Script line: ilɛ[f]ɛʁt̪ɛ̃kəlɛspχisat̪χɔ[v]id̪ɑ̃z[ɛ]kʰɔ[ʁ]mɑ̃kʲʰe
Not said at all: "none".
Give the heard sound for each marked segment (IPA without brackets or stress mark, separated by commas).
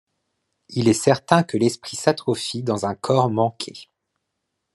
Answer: s, f, ɛ̃, ʁ